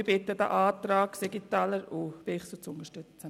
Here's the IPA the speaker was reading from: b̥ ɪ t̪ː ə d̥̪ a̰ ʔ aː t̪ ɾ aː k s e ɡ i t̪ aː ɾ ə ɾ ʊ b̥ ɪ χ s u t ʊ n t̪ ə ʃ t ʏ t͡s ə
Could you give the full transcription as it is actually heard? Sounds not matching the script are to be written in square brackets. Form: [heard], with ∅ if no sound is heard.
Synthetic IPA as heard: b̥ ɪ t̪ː ə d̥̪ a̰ ʔ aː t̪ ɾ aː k s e ɡ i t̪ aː [l] ə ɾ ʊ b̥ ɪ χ s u [t͡s] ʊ n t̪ ə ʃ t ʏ t͡s ə

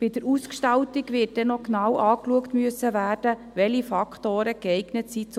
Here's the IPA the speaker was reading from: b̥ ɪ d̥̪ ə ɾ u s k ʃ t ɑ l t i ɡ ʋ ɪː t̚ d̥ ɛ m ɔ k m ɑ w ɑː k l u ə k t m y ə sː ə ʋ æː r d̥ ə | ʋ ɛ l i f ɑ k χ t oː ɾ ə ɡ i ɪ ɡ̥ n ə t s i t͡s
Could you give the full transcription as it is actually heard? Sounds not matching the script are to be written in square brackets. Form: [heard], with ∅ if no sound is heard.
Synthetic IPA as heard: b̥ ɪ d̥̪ ə ɾ u s k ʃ t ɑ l t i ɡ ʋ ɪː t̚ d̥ ɛ [n] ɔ k [n] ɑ w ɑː k l u ə k t m y ə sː ə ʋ æː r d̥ ə | ʋ ɛ l i f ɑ k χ t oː ɾ ə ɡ [ɛ] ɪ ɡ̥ n ə t s i t͡s

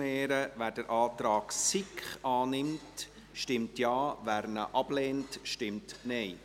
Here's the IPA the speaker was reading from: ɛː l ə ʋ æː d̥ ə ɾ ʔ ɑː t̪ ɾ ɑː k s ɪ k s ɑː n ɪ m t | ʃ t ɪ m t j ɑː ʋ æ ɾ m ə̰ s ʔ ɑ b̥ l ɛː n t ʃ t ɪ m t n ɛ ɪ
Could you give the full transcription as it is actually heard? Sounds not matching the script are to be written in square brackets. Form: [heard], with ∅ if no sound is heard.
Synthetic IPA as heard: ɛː [ɾ] ə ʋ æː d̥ ə ɾ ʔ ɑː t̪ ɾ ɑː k s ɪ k [χ] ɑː n ɪ m t | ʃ t ɪ m t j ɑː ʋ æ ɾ [n] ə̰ [∅] ʔ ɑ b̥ l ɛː n t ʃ t ɪ m t n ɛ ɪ

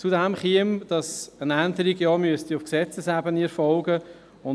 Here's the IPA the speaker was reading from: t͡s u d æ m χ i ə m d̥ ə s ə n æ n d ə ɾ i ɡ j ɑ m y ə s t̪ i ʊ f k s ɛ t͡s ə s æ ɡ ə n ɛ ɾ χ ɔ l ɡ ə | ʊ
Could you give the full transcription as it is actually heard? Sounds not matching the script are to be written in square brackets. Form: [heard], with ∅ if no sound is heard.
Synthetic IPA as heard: t͡s u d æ m χ i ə m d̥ [ɑ] s ə n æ n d ə ɾ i ɡ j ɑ m y ə s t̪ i ʊ f k s ɛ t͡s ə s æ [b] ə n [i] ɾ [f] ɔ l ɡ ə | ʊ

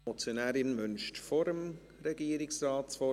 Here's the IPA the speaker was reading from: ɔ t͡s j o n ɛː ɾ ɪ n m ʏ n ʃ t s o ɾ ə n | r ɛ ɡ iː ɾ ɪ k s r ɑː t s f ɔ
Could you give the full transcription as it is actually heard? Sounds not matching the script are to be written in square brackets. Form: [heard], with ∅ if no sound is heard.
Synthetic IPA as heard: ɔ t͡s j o n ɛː ɾ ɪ n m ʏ n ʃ t [f] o ɾ ə [m] | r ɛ ɡ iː ɾ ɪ k s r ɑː t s f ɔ

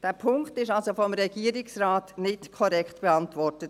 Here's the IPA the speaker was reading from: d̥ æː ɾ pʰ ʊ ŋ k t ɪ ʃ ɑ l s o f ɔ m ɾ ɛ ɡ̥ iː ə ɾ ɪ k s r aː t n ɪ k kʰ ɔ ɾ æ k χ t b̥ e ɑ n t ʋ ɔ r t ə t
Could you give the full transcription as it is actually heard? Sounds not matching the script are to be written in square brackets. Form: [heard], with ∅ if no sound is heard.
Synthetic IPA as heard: d̥ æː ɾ pʰ ʊ ŋ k t ɪ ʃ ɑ l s o f ɔ m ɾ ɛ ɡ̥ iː ə ɾ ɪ k s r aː t n ɪ [t] kʰ ɔ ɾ [ɛ] k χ t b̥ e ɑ n t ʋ ɔ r t ə t

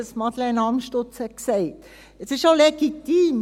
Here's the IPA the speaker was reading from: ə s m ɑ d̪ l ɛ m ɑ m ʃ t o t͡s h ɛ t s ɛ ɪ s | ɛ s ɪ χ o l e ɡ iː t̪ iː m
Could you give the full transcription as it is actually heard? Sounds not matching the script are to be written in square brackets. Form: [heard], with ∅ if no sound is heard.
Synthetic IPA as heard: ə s m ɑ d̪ l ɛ [n] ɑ m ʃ t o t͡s h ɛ [k] s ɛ ɪ [t] | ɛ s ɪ [ʃ] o l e ɡ [i] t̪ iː m

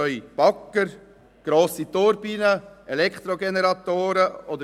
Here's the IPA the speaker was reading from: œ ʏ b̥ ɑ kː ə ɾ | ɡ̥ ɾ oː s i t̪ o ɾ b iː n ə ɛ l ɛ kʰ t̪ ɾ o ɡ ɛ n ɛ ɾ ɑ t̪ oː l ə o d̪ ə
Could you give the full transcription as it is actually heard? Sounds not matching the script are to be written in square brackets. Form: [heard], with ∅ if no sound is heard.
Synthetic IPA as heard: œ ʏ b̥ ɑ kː ə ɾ | ɡ̥ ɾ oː s i t̪ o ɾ b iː n ə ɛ l ɛ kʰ t̪ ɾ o ɡ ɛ n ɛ ɾ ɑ t̪ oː [ɾ] ə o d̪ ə

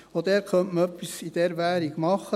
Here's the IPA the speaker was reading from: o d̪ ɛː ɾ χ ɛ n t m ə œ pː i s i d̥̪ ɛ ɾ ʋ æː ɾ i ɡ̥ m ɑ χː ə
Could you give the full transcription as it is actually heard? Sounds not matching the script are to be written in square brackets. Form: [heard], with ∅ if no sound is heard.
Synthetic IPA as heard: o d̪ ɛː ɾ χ [œ] n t m ə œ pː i s i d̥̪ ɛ ɾ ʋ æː ɾ i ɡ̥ m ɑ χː ə

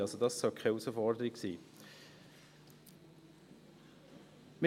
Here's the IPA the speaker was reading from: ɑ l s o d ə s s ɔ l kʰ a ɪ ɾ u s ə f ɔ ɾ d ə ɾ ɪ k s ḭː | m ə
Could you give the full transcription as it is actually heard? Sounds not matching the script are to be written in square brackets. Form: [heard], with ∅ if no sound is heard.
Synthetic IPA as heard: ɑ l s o d [ɑ] s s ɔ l kʰ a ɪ [∅] u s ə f ɔ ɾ d ə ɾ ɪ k s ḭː | m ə

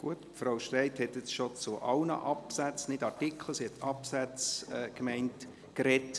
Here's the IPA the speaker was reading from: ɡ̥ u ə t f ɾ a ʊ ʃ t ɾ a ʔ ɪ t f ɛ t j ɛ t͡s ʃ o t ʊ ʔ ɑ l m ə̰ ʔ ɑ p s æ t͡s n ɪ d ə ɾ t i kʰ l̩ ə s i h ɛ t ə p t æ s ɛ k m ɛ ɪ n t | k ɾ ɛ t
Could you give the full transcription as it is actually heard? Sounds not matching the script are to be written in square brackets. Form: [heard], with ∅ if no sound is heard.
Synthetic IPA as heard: ɡ̥ u ə t f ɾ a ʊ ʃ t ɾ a [∅] ɪ t [h] ɛ t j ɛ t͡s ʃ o [t͡s] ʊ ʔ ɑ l [n] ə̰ ʔ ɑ p s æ t͡s n ɪ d [ɑ] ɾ t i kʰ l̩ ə s i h ɛ t [ɑ] p [s] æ [t͡s] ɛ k m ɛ ɪ n t | k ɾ ɛ t

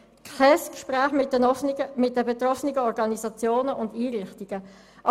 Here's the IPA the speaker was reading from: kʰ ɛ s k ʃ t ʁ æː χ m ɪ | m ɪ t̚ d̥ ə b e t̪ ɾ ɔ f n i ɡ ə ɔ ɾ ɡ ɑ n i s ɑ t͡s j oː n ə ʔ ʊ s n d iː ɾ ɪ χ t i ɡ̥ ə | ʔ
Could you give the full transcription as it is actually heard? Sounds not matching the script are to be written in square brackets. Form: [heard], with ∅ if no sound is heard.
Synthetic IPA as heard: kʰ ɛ s k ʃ [p] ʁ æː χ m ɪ | m ɪ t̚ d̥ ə b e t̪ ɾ ɔ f n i ɡ ə ɔ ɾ ɡ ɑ n i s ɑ t͡s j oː n ə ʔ ʊ [∅] n d iː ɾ ɪ χ t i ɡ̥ ə | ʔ

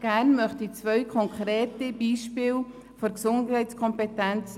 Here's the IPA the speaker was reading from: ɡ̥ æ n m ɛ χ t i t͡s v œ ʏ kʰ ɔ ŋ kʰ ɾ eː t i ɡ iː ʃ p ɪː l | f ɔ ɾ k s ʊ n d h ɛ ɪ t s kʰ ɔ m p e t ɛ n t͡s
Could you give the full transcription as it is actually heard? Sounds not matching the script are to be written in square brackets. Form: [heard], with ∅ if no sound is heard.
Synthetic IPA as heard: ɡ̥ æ n m [œ] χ t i t͡s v œ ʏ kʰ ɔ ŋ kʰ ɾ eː t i [b] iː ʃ p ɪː l | f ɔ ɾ k s ʊ n d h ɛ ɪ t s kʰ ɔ m p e t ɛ n t͡s

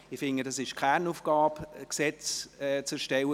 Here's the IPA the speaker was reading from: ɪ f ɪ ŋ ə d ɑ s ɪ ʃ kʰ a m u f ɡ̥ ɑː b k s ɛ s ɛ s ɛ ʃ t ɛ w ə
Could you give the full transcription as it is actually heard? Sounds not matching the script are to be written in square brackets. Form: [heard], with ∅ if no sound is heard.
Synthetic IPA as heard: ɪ f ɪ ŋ ə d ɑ s ɪ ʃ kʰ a [n] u f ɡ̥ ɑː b k s ɛ [t͡s] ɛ [t͡s] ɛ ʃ t ɛ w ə

